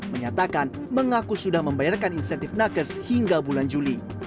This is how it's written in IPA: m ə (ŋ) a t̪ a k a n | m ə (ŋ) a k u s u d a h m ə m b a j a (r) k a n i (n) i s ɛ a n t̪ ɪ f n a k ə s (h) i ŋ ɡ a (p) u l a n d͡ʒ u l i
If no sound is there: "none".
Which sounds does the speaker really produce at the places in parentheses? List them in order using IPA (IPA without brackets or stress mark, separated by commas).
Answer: ɲ, ŋ, r, n, h, b